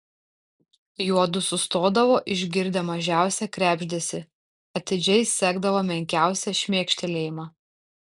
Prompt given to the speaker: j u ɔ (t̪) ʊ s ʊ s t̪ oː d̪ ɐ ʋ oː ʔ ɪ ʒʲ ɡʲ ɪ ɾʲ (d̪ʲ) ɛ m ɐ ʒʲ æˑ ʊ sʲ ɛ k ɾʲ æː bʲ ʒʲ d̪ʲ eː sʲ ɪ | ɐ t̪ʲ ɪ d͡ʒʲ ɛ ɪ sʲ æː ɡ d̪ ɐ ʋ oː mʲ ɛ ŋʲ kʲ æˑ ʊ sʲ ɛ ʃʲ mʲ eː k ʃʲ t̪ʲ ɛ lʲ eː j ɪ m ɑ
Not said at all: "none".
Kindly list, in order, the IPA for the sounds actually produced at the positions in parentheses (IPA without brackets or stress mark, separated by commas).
d̪, d̪ʲ